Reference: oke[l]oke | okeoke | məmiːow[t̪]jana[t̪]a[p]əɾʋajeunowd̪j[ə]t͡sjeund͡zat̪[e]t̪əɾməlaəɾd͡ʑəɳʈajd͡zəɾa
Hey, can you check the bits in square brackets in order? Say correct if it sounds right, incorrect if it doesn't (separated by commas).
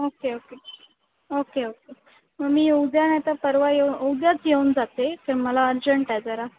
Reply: incorrect, incorrect, correct, correct, incorrect, correct